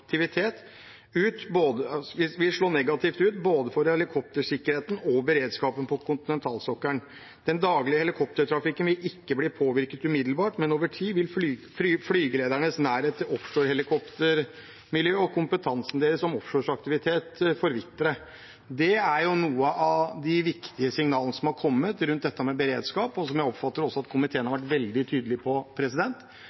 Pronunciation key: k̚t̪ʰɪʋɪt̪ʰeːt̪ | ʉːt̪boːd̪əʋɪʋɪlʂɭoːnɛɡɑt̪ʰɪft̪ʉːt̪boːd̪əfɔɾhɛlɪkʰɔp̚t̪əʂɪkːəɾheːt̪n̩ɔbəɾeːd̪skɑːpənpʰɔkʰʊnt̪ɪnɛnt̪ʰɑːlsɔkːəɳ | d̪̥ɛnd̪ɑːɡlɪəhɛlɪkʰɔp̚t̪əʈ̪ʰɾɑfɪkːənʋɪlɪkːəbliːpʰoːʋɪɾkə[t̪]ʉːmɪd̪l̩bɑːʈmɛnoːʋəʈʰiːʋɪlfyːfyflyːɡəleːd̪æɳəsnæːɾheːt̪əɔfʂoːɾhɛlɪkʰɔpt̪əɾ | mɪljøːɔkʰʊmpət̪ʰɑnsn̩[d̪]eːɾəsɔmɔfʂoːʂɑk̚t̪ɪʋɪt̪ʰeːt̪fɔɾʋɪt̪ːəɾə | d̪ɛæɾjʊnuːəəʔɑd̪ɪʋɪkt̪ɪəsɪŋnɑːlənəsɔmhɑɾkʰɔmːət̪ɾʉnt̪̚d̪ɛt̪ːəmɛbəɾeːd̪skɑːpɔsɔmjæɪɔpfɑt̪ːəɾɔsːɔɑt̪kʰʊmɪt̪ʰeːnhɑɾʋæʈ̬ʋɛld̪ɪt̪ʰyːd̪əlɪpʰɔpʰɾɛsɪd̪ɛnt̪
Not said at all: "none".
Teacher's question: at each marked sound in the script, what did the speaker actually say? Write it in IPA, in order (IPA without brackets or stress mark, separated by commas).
t̪, d̪